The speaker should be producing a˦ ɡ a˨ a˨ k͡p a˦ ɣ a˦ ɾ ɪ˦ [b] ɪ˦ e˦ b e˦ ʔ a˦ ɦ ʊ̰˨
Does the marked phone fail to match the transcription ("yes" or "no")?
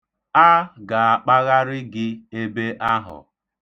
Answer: yes